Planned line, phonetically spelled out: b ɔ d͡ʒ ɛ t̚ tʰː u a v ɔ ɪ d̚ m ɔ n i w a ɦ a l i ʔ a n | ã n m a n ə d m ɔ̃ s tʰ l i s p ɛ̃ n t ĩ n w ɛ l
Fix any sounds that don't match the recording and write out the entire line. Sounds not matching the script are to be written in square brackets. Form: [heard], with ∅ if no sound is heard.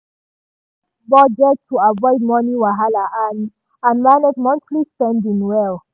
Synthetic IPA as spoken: b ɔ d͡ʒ ɛ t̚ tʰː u a v ɔ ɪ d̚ m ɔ n i w a ɦ a l [a] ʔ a n | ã n m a n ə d m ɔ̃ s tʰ l i s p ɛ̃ n [d] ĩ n w ɛ l

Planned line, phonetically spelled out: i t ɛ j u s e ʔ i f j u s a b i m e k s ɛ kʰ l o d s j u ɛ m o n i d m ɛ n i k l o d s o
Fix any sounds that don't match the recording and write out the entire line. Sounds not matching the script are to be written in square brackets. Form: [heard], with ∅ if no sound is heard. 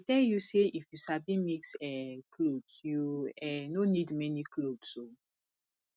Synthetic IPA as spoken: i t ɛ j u s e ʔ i f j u s a b i m [i] k s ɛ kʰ l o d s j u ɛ [n] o n i d m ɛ n i k l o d s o

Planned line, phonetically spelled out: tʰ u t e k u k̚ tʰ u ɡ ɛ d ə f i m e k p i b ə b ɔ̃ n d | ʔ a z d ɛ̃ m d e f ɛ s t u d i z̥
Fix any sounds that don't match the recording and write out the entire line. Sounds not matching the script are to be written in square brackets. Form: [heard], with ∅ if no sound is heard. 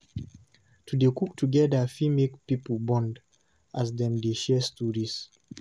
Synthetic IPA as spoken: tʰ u [d] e k u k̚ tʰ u ɡ ɛ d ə f i m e k p i [p] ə b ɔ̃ n d | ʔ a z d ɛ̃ m d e [ʃ] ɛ s t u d i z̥

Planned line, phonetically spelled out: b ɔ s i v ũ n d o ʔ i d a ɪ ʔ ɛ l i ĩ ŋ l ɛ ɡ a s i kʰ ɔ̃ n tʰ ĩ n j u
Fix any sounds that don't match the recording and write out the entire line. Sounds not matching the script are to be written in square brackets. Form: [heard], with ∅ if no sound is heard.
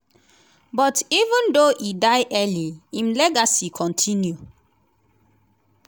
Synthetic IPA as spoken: b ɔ [t] i v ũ n d o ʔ i d a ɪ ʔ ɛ l i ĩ [m] l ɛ ɡ a s i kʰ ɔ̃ n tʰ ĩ n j u

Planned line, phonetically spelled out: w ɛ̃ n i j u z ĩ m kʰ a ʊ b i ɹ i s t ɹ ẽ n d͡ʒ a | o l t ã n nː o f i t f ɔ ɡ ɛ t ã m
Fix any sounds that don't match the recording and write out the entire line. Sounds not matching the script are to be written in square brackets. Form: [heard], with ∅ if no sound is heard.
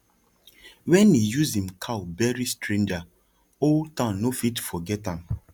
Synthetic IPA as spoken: w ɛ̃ n i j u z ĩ m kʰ a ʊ b [ɛ] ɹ i s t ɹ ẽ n d͡ʒ a | o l t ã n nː o f i t f ɔ ɡ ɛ t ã m

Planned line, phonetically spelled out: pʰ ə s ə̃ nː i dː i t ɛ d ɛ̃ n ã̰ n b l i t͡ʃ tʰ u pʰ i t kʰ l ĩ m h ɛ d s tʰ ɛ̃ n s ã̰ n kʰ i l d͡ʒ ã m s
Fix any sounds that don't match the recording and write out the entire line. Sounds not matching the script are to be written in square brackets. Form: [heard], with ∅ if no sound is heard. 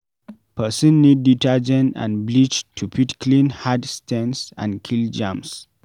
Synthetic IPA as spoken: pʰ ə s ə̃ nː i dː i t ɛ [d͡ʒ] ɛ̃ n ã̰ n b l i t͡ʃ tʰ u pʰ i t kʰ l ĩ [n] h [a] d s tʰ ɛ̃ n s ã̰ n kʰ i l d͡ʒ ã m s

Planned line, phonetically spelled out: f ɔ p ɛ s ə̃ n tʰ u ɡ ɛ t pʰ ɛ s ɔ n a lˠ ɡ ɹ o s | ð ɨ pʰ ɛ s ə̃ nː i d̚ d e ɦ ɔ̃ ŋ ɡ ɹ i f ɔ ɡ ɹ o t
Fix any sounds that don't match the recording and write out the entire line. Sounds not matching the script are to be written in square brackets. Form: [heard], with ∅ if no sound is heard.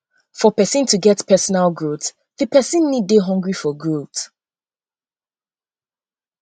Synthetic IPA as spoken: f ɔ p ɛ s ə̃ n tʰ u ɡ ɛ t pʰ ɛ s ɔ n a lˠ ɡ ɹ o [t] | ð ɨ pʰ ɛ s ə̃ nː i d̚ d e ɦ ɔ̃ ŋ ɡ ɹ i f ɔ ɡ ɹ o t

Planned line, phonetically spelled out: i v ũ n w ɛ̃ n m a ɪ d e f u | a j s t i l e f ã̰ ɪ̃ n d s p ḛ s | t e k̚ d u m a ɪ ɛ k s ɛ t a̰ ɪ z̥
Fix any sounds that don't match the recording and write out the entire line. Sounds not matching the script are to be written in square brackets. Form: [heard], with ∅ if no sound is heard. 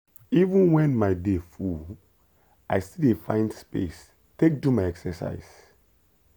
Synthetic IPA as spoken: i v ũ n w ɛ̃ n m a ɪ d e f u | a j s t i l e f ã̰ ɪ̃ n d s p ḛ s | t e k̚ d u m a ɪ ɛ k s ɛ [s] a̰ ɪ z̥

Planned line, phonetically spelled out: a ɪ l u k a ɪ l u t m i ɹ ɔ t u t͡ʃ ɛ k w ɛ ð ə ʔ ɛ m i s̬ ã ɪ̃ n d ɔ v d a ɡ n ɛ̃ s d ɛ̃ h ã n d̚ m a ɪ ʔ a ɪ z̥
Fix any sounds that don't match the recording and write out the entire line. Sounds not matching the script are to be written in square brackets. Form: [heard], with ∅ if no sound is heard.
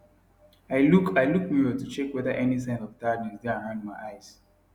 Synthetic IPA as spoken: a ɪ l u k a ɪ l u [k] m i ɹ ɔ t u t͡ʃ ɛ k w ɛ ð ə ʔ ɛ [n] i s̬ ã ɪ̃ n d ɔ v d a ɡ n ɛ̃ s d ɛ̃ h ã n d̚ m a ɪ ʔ a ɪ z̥

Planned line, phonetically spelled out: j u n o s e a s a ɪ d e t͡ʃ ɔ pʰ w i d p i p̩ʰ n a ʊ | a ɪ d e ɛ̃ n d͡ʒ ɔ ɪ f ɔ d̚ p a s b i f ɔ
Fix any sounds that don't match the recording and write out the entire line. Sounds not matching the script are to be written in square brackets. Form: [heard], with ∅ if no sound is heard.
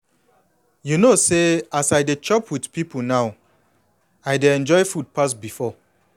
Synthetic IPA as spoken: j u n o s e a s a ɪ d e t͡ʃ ɔ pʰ w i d p i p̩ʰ n a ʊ | a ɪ d e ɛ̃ n d͡ʒ ɔ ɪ f [u] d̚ p a s b i f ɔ

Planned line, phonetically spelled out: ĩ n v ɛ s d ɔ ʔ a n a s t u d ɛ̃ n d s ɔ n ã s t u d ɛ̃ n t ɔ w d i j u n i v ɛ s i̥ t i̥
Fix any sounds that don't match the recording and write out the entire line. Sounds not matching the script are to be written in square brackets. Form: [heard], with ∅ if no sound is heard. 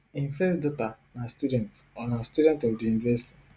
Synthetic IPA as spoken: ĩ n [f] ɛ s d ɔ [t] a n a s t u d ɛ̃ n [t] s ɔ n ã s t u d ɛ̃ n t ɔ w d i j u n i v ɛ s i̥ t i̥

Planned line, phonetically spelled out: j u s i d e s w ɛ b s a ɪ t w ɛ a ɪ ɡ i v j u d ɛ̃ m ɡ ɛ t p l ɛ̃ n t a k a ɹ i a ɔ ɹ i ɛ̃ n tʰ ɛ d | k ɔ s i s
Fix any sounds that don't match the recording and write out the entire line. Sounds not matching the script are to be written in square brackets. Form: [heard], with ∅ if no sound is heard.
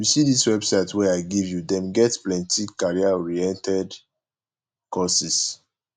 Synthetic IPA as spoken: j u s i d [i] s w ɛ b s a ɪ t w ɛ a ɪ ɡ i v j u d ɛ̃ m ɡ ɛ t p l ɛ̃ n t [i] k a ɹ i a ɔ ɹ i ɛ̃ n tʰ ɛ d | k ɔ s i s

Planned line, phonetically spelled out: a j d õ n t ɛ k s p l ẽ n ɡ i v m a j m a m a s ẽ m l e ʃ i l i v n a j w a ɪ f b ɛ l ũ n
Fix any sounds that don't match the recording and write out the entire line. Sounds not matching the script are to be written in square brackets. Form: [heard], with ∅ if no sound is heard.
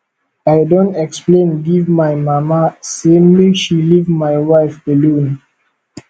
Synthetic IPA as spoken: a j d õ n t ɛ k s p l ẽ n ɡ i v m a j m a m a s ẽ m l [i] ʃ i l i v [m] a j w a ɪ f b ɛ l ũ n

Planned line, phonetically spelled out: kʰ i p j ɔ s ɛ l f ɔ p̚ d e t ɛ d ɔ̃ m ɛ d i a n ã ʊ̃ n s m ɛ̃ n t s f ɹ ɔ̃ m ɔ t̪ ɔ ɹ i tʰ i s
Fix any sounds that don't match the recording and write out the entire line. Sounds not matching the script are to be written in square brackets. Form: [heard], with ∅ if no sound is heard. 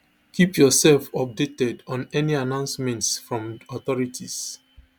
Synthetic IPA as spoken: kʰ i p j ɔ s ɛ l f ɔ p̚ d e t ɛ d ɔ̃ [n] ɛ [n] i a n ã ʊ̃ n s m ɛ̃ n t s f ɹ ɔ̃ m ɔ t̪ ɔ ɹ i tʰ i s

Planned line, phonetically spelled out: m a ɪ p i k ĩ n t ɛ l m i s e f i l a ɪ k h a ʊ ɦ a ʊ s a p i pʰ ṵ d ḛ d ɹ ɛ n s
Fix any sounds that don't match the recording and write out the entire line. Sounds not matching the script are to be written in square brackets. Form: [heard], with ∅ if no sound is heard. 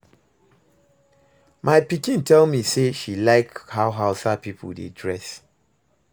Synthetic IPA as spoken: m a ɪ p i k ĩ n t ɛ l m i s e [ʃ] i l a ɪ k h a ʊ ɦ a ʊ s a p i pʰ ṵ d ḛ d ɹ ɛ [∅] s

